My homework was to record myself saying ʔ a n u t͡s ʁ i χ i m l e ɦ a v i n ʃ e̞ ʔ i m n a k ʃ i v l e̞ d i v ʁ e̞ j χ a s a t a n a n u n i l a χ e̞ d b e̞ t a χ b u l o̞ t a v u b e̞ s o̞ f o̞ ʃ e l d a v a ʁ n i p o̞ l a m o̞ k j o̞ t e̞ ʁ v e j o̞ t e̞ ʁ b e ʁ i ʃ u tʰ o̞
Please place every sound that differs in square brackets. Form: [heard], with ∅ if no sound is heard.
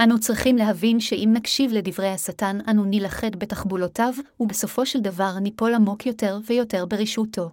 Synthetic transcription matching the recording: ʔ a n u t͡s ʁ i χ i m l e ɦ a v i n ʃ e̞ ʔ i m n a k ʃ i v l e̞ d i v ʁ e̞ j [h] a s a t a n a n u n i l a χ e̞ d b e̞ t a χ b u l o̞ t a v u b e̞ s o̞ f o̞ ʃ e l d a v a ʁ n i p o̞ l a m o̞ k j o̞ t e̞ ʁ v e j o̞ t e̞ ʁ b e ʁ i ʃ u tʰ o̞